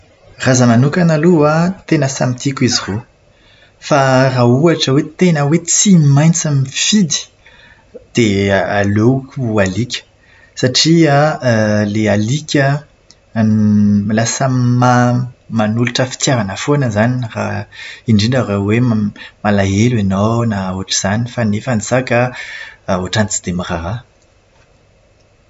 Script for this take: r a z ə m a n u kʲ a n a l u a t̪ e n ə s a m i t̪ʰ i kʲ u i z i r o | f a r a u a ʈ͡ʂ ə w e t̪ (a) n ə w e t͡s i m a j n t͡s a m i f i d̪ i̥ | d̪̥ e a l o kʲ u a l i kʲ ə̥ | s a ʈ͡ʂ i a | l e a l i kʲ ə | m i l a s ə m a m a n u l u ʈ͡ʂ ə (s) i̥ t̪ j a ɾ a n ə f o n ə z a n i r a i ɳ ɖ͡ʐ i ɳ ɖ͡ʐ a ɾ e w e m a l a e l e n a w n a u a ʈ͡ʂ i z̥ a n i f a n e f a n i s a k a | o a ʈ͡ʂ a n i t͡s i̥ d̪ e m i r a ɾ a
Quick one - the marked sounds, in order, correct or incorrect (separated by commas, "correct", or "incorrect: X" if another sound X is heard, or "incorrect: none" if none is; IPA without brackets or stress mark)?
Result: incorrect: e, incorrect: f